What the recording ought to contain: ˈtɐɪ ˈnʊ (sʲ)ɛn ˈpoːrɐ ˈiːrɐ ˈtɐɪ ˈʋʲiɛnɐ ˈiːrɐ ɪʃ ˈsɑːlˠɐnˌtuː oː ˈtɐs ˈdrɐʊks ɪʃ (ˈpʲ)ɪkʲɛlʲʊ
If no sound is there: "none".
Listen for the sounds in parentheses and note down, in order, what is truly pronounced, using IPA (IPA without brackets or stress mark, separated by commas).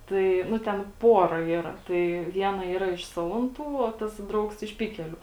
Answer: tʲ, pʲ